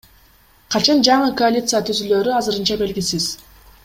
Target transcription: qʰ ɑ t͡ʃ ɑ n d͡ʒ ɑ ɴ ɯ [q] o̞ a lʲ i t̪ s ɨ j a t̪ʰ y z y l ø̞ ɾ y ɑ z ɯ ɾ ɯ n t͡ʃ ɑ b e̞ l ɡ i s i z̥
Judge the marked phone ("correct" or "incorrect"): incorrect